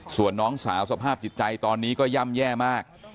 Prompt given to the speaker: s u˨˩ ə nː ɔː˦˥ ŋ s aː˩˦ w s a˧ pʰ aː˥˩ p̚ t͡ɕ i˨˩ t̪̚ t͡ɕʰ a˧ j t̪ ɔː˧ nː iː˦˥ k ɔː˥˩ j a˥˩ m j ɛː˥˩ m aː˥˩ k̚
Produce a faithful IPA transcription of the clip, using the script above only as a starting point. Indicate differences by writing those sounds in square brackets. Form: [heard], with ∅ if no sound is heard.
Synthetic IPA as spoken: s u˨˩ ə nː ɔː˦˥ ŋ s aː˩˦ w s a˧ pʰ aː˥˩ p̚ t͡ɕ i˨˩ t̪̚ [t͡ɕ] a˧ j t̪ ɔː˧ nː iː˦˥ k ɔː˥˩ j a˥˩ m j ɛː˥˩ m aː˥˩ k̚

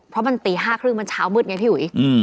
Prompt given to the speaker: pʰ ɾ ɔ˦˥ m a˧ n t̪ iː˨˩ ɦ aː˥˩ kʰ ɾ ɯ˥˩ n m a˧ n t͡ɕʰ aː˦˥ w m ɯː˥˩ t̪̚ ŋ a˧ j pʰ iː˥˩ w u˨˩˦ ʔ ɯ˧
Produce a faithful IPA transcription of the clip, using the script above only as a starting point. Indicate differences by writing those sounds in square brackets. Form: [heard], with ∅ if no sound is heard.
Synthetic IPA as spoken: pʰ ɾ ɔ˦˥ m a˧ n t̪ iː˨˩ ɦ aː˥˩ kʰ ɾ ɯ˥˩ [ŋ] m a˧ n t͡ɕʰ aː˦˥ w m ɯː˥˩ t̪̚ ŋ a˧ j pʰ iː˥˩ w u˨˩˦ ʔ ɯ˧

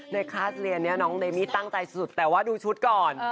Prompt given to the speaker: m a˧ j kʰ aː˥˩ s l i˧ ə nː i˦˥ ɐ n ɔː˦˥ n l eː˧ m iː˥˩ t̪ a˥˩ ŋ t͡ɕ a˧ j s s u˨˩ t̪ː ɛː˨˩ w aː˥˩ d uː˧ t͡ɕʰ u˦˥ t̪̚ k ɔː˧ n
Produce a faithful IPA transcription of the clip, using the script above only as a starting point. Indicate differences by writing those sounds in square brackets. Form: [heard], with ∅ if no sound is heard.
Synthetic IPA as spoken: [n] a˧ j kʰ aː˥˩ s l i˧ ə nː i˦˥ ɐ n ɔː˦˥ [ŋ] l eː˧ m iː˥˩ t̪ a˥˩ ŋ t͡ɕ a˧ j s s u˨˩ t̪ː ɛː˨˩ w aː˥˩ d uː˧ t͡ɕʰ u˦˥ t̪̚ k [ɔː˨˩] n

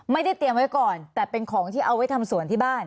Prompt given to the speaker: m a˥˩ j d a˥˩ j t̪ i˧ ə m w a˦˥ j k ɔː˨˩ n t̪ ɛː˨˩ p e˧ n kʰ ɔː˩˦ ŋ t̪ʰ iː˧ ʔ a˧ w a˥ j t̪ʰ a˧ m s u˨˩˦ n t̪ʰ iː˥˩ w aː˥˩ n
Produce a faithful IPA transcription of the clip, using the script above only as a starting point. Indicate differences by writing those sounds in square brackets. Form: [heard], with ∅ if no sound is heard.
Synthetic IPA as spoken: m a˥˩ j d a˥˩ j t̪ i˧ ə m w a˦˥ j k ɔː˨˩ n t̪ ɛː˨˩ p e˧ n kʰ ɔː˩˦ ŋ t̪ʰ [iː˥˩] ʔ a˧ w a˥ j t̪ʰ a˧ m s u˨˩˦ n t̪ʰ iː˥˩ [b] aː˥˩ n

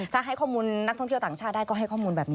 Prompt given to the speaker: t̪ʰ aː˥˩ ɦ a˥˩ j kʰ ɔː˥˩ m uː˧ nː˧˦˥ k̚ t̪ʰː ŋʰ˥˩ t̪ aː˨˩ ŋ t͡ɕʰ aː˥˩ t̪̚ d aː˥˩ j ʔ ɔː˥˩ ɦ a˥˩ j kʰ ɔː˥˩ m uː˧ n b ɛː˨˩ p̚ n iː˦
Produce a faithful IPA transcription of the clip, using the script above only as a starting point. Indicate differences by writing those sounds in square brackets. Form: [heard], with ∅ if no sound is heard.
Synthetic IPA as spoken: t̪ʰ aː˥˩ ɦ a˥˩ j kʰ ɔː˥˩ m uː˧ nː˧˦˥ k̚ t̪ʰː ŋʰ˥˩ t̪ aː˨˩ ŋ t͡ɕʰ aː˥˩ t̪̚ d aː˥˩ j [k] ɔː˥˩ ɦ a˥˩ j kʰ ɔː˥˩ m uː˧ n b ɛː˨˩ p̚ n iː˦

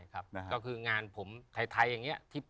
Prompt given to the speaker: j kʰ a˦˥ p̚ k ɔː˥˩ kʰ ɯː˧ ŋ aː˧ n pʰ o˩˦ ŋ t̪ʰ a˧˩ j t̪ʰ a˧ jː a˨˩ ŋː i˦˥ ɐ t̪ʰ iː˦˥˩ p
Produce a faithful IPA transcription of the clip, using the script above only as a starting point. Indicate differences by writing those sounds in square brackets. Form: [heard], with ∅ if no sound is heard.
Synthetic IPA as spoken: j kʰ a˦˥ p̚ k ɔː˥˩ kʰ ɯː˧ ŋ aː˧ n pʰ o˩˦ [m] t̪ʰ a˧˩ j t̪ʰ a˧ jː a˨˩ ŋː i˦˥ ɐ t̪ʰ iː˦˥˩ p

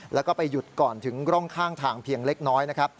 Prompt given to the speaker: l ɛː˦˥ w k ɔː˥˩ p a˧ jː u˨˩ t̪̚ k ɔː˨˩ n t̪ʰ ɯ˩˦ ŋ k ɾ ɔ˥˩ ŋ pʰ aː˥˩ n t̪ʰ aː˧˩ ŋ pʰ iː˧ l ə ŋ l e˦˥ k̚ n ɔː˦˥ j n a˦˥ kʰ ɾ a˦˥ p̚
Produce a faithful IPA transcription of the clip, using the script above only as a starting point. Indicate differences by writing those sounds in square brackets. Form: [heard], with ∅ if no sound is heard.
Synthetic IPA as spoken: l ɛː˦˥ w k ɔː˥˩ p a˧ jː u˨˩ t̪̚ k ɔː˨˩ n t̪ʰ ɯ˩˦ ŋ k ɾ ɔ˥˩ ŋ [kʰ] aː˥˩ [ŋ] t̪ʰ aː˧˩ ŋ pʰ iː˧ [∅] ə ŋ l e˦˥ k̚ n ɔː˦˥ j n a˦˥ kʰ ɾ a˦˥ p̚

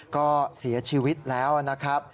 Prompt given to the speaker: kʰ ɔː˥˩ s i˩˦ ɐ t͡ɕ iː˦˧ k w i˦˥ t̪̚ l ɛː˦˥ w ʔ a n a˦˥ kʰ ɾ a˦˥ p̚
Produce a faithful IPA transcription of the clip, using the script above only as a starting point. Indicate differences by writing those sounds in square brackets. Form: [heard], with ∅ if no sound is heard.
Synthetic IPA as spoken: [k] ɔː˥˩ s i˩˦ ɐ [t͡ɕʰ] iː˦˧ [∅] w i˦˥ t̪̚ l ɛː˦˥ w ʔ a n a˦˥ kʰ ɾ a˦˥ p̚

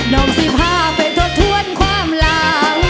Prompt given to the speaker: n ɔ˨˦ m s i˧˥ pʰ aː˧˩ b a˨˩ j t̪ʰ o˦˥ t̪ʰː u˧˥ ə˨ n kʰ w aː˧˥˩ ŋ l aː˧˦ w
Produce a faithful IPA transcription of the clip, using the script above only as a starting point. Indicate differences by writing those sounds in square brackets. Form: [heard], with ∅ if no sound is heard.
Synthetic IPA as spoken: n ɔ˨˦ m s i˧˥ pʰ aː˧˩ [p] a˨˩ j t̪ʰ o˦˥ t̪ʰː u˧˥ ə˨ n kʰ w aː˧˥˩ [m] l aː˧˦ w

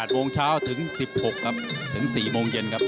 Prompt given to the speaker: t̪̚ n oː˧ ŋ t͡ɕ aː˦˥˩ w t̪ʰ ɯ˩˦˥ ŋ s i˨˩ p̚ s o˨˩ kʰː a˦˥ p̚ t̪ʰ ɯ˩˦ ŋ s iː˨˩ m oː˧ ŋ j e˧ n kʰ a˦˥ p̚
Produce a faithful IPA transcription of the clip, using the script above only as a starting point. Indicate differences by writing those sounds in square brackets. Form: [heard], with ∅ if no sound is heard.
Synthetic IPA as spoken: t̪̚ [m] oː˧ ŋ [t͡ɕʰ] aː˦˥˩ w t̪ʰ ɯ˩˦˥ ŋ s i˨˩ p̚ [h] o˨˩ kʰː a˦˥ p̚ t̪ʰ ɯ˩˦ ŋ s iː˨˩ m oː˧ ŋ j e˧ n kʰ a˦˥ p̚

